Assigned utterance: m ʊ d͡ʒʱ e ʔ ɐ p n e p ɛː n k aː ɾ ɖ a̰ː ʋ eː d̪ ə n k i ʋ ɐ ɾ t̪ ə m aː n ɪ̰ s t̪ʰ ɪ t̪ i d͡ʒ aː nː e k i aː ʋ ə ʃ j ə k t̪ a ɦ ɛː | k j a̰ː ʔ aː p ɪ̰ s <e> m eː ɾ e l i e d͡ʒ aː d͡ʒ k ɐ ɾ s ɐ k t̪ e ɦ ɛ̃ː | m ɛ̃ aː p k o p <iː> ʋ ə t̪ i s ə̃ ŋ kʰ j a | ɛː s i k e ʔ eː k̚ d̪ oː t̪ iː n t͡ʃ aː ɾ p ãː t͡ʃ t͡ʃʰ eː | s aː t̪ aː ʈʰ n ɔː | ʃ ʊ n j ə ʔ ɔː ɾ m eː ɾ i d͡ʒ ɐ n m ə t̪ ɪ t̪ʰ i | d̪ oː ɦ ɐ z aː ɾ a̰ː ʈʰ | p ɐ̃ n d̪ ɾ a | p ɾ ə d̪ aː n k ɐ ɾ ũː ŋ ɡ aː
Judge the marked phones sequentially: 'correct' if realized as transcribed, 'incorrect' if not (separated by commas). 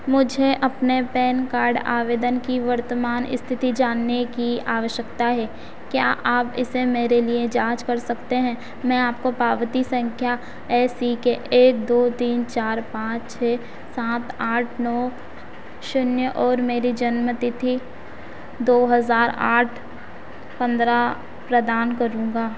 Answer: correct, incorrect